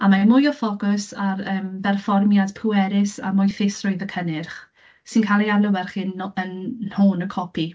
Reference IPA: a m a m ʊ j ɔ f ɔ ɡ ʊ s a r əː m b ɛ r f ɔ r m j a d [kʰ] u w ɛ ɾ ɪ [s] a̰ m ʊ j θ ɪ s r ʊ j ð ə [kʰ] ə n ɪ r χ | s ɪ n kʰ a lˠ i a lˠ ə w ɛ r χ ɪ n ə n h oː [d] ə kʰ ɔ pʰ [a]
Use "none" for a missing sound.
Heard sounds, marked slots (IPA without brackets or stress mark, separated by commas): pʰ, s, kʰ, n, i